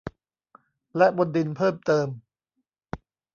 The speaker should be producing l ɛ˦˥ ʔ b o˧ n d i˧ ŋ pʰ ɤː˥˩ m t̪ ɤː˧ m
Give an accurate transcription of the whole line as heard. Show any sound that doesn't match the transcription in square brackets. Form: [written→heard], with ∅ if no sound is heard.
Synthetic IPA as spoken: l ɛ˦˥ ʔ b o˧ n d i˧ [ŋ→n] pʰ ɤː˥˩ m t̪ ɤː˧ m